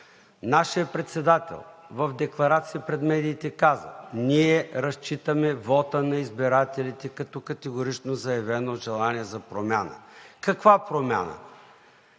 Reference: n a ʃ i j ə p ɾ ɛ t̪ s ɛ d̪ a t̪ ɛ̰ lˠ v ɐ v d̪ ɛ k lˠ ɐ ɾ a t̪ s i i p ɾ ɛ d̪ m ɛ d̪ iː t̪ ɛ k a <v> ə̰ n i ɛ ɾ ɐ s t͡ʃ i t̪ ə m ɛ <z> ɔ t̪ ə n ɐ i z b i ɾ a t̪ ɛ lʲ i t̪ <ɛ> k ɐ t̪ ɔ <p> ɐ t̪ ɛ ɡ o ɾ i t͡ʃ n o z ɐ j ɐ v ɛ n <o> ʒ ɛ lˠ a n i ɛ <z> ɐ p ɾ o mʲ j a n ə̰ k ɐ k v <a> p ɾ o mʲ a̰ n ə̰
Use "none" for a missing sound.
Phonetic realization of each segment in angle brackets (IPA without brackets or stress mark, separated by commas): z, v, ɛ, k, o, z, a